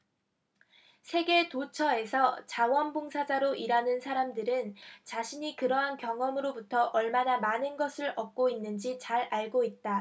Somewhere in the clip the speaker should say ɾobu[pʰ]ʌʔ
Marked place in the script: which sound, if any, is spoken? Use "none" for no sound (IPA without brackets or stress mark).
tʰ